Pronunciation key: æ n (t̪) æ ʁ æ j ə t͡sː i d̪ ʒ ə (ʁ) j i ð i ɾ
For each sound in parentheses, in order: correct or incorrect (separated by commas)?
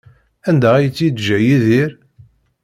incorrect, incorrect